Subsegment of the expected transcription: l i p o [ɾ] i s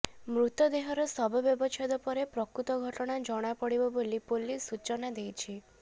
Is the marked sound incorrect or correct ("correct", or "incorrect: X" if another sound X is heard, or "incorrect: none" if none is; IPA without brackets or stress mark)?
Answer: incorrect: l